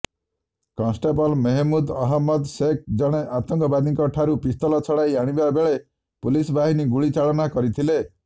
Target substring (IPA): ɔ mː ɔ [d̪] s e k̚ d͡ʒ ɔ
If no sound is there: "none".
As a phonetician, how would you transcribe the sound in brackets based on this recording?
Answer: d̪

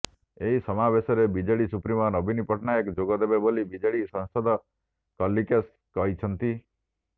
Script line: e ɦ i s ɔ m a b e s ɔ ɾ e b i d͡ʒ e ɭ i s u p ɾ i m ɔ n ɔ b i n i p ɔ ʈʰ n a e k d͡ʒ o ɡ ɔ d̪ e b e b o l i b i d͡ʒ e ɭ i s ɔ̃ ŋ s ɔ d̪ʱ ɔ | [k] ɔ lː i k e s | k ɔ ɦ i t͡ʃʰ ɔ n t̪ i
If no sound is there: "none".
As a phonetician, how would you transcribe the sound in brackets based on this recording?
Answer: k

